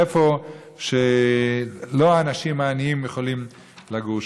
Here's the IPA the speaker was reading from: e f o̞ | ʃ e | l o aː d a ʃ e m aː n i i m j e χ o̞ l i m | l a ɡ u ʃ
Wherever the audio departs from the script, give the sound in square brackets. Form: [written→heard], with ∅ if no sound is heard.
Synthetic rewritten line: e f o̞ | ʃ e | l o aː [d→n] a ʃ [e→i] m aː n i i m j e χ o̞ l i m | l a ɡ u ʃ